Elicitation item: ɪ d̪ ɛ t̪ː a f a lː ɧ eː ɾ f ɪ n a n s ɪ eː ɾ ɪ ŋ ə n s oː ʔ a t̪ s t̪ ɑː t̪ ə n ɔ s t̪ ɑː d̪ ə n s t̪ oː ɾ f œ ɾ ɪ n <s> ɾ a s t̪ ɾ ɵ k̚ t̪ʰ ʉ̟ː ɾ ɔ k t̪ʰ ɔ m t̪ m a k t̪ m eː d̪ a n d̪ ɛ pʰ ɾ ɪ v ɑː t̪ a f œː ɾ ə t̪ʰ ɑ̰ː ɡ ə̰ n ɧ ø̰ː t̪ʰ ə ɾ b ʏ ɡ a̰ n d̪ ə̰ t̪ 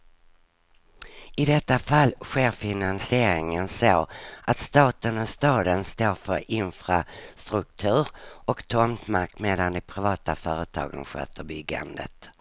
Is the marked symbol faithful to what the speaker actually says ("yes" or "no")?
no